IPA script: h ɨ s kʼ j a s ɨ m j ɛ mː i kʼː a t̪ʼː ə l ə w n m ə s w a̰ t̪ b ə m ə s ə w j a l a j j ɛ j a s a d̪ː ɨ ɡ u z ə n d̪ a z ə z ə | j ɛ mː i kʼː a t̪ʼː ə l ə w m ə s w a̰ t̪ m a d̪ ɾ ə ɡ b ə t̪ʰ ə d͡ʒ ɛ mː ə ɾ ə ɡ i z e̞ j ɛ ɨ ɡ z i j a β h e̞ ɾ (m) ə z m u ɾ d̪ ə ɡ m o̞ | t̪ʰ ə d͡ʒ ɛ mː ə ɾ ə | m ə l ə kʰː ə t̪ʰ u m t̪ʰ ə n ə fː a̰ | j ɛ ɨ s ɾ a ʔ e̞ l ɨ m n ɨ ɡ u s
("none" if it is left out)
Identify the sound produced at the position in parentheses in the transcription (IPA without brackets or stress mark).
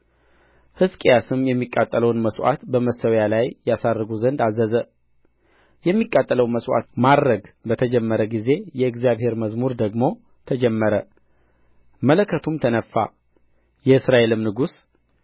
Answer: m